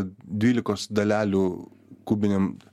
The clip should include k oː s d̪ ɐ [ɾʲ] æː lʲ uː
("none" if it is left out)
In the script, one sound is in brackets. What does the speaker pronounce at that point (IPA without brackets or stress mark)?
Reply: lʲ